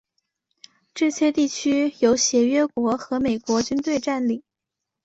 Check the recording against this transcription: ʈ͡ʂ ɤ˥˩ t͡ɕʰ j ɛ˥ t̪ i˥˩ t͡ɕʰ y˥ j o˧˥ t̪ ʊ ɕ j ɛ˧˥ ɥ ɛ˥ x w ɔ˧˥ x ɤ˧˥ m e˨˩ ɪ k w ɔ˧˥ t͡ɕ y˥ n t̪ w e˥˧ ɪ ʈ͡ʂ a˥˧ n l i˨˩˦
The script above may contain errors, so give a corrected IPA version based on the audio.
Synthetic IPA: ʈ͡ʂ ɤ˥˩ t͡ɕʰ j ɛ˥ t̪ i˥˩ t͡ɕʰ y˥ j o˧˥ ʊ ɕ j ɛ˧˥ ɥ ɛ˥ k w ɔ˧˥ x ɤ˧˥ m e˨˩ ɪ k w ɔ˧˥ t͡ɕ y˥ n t̪ w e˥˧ ɪ ʈ͡ʂ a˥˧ n l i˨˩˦